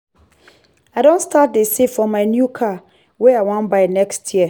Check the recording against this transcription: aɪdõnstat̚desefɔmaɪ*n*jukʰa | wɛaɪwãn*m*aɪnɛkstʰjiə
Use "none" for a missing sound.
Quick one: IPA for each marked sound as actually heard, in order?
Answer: n, b

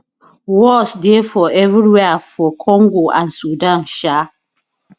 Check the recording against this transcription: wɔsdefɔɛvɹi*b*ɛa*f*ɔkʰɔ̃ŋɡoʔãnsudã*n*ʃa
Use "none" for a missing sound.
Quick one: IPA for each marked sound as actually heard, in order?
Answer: w, f, n

